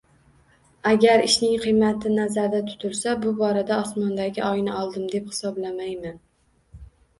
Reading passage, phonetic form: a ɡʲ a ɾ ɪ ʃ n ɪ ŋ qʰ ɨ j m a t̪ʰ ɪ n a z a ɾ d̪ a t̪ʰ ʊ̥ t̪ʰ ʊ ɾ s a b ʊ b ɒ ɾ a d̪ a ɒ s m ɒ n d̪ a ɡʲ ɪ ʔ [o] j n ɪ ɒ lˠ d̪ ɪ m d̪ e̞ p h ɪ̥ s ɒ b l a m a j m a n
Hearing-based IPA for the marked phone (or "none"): ɒ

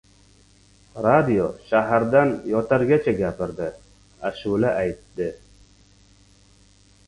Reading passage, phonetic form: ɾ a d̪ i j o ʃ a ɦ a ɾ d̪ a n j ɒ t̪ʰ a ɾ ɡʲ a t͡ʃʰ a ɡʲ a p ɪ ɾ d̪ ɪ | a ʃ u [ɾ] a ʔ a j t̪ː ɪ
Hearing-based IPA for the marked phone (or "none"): l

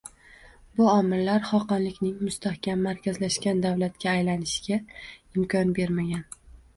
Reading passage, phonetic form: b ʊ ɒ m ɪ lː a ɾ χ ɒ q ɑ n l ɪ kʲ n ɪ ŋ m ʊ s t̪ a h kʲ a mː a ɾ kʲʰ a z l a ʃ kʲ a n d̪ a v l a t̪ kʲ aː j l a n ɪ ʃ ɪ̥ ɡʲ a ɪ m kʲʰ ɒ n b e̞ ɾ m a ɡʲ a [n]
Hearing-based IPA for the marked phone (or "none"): n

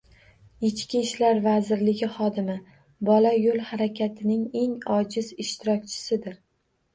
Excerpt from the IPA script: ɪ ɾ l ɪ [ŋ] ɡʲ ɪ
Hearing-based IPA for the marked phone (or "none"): none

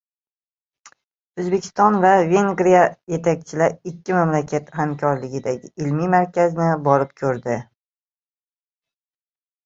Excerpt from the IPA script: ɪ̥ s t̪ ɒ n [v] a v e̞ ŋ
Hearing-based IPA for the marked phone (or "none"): v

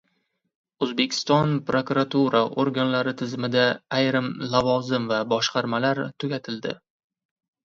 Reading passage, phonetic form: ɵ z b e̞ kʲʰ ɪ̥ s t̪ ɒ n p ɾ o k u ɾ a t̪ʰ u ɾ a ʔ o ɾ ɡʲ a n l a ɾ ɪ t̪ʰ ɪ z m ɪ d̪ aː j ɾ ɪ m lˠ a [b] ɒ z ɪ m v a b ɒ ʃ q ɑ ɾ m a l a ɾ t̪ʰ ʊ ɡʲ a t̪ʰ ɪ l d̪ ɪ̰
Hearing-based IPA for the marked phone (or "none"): v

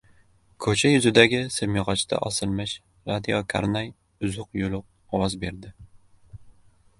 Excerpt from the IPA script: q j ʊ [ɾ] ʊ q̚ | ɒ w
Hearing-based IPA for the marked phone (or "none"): l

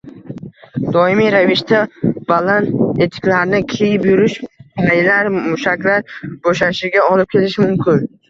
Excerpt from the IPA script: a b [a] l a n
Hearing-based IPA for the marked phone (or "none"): a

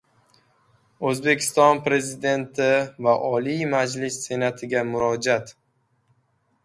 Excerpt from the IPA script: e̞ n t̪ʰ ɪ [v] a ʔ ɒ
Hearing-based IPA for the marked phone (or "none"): v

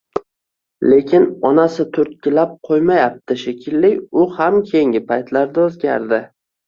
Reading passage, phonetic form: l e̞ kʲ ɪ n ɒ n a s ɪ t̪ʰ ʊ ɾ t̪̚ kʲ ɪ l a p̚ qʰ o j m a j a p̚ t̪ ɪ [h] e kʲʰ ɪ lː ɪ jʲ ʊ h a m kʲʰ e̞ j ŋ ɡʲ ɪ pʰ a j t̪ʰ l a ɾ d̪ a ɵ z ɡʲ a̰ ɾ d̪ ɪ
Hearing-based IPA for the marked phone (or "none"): ʃ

